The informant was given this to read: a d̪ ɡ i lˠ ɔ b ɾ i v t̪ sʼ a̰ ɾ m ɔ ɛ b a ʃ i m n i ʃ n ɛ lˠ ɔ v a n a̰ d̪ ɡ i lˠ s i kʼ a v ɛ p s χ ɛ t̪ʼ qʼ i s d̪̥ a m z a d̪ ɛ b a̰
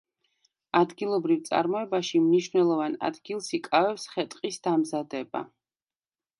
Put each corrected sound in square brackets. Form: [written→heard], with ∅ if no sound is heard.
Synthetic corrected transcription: a d̪ ɡ i lˠ ɔ b ɾ i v t̪ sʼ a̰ ɾ m ɔ ɛ b a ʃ i m n i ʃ n ɛ lˠ ɔ v a n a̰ d̪ ɡ i lˠ s i kʼ a v ɛ p s χ ɛ t̪ʼ qʼ i s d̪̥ a m z a d̪ ɛ b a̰

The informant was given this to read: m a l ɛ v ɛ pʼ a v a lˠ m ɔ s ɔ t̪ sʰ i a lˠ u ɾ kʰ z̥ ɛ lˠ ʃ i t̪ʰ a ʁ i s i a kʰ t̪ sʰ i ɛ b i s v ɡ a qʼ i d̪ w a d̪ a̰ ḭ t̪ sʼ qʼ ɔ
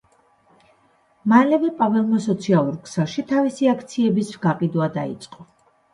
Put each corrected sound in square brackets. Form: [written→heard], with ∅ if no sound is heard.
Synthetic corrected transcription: m a l ɛ v ɛ pʼ a v [a→ɛ] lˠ m ɔ s ɔ t̪ sʰ i a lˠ u ɾ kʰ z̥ ɛ lˠ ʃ i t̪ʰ a [ʁ→v] i s i a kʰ t̪ sʰ i ɛ b i s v ɡ a qʼ i d̪ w a d̪ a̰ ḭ t̪ sʼ qʼ ɔ

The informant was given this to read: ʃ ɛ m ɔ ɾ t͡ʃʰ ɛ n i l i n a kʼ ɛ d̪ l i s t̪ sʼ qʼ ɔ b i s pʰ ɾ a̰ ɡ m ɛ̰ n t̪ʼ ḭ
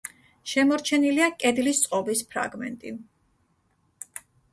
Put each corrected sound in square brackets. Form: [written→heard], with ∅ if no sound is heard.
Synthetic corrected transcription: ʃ ɛ m ɔ ɾ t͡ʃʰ ɛ n i l i [n→∅] a kʼ ɛ d̪ l i s t̪ sʼ qʼ ɔ b i s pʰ ɾ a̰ ɡ m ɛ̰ n t̪ʼ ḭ

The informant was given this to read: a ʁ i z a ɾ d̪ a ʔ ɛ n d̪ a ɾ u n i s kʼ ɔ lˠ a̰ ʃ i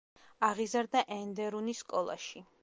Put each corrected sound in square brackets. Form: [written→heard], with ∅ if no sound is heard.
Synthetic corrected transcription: a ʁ i z a ɾ d̪ a ʔ ɛ n d̪ [a→ɛ] ɾ u n i s kʼ ɔ lˠ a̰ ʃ i

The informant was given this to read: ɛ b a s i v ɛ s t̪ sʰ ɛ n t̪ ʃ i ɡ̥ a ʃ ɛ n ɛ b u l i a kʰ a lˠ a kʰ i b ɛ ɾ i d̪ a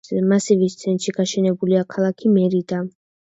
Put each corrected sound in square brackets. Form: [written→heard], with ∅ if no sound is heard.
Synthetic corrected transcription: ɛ [b→m] a s i v [ɛ→i] s t̪ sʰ ɛ n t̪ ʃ i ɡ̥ a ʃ ɛ n ɛ b u l i a kʰ a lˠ a kʰ i [b→m] ɛ ɾ i d̪ a

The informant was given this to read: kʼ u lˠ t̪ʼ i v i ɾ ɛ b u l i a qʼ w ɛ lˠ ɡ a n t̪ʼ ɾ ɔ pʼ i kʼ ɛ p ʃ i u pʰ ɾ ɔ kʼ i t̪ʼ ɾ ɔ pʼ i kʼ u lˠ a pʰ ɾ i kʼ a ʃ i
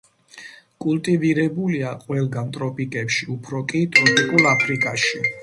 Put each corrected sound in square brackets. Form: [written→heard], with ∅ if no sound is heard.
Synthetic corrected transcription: kʼ u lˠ t̪ʼ i v i ɾ ɛ b u l i a qʼ w ɛ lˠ ɡ a n t̪ʼ ɾ ɔ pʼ i kʼ ɛ p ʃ i u pʰ ɾ ɔ kʼ i t̪ʼ ɾ ɔ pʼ i kʼ u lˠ a pʰ ɾ i kʼ a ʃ i

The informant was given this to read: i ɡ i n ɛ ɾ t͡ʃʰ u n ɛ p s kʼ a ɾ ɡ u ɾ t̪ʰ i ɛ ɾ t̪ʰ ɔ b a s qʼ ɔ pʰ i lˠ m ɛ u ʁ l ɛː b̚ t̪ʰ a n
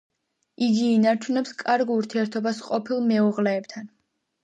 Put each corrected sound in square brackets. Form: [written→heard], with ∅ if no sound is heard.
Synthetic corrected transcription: i ɡ [i→iː] n [ɛ→a] ɾ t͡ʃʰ u n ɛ p s kʼ a ɾ ɡ u ɾ t̪ʰ i ɛ ɾ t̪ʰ ɔ b a s qʼ ɔ pʰ i lˠ m ɛ u ʁ l ɛː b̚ t̪ʰ a n

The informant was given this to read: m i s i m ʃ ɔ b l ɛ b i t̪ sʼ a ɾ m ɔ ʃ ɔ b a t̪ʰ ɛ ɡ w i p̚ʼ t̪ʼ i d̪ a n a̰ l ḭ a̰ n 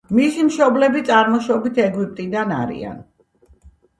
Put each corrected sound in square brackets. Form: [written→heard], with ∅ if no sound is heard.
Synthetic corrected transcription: m i s i m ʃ ɔ b l ɛ b i t̪ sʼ a ɾ m ɔ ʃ ɔ b [a→i] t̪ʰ ɛ ɡ w i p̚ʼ t̪ʼ i d̪ a n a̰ [l→ɾ] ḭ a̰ n

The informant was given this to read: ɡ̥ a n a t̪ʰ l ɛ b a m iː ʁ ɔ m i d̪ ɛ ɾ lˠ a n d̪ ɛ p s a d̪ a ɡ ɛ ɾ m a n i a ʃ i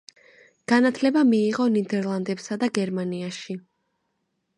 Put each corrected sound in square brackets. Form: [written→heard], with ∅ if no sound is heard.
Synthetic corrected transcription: ɡ̥ a n a t̪ʰ l ɛ b a m iː ʁ ɔ [m→n] i d̪ ɛ ɾ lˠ a n d̪ ɛ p s a d̪ a ɡ ɛ ɾ m a n i a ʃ i

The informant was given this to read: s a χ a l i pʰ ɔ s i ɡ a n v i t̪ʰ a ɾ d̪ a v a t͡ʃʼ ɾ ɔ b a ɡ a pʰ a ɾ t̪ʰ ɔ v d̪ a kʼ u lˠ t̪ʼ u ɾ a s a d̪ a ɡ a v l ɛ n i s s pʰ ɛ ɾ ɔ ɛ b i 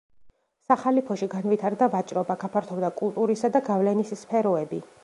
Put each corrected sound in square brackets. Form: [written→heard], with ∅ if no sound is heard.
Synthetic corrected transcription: s a χ a l i pʰ ɔ [s→ʃ] i ɡ a n v i t̪ʰ a ɾ d̪ a v a t͡ʃʼ ɾ ɔ b a ɡ a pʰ a ɾ t̪ʰ ɔ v d̪ a kʼ u lˠ t̪ʼ u ɾ [a→i] s a d̪ a ɡ a v l ɛ n i s s pʰ ɛ ɾ ɔ ɛ b i

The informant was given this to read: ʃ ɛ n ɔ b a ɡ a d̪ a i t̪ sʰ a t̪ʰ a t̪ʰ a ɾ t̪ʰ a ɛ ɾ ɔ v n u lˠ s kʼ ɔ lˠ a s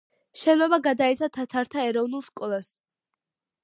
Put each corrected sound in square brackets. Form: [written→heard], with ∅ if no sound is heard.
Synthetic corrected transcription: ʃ ɛ n ɔ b a ɡ a d̪ a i t̪ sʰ a t̪ʰ a t̪ʰ a ɾ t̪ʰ a ɛ ɾ ɔ v n u lˠ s kʼ ɔ lˠ a s

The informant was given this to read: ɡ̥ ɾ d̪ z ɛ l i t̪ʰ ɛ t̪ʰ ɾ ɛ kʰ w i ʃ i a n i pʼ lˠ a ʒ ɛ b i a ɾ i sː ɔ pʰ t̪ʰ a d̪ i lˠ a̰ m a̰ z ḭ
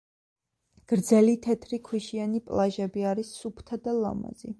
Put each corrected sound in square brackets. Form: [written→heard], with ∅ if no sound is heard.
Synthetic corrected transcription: ɡ̥ ɾ d̪ z ɛ l i t̪ʰ ɛ t̪ʰ ɾ [ɛ→i] kʰ w i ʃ i a n i pʼ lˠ a ʒ ɛ b i a ɾ i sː [ɔ→u] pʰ t̪ʰ a d̪ [i→a] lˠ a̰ m a̰ z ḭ

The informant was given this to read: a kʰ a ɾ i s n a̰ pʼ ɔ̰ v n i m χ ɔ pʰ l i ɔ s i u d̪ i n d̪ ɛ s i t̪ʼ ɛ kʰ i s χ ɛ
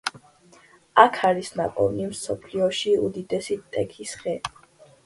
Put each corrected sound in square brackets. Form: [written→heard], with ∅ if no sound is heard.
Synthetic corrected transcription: a kʰ a ɾ i s n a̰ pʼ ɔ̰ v n i m [χ→s] ɔ pʰ l i ɔ [s→ʃ] i u d̪ i [n→∅] d̪ ɛ s i t̪ʼ ɛ kʰ i s χ ɛ

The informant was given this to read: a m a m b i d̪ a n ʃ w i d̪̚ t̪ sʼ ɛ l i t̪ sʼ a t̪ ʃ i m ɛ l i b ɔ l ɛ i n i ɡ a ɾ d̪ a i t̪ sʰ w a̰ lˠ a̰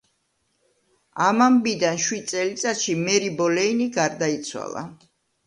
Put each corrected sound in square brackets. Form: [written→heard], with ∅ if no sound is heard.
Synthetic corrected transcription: a m a m b i d̪ a n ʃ w i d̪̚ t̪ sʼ ɛ l i t̪ sʼ a t̪ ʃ i m ɛ [l→ɾ] i b ɔ l ɛ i n i ɡ a ɾ d̪ a i t̪ sʰ w a̰ lˠ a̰

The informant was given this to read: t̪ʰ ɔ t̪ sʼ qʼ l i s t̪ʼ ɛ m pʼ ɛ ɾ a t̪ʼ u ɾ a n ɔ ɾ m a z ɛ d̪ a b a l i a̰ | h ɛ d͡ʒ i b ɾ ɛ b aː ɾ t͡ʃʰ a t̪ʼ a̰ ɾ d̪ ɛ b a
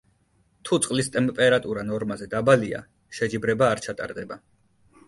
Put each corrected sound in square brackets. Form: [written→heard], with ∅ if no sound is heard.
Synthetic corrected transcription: t̪ʰ [ɔ→u] t̪ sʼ qʼ l i s t̪ʼ ɛ m pʼ ɛ ɾ a t̪ʼ u ɾ a n ɔ ɾ m a z ɛ d̪ a b a l i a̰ | [h→ʃ] ɛ d͡ʒ i b ɾ ɛ b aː ɾ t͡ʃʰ a t̪ʼ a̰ ɾ d̪ ɛ b a

